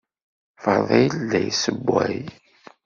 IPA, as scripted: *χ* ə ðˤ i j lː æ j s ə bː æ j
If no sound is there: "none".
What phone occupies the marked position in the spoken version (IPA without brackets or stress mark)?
f